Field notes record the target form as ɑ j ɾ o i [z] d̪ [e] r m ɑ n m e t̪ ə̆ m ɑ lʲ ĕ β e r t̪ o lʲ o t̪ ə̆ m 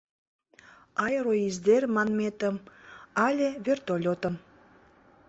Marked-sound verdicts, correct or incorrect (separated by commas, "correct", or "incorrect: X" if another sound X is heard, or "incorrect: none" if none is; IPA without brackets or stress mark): correct, correct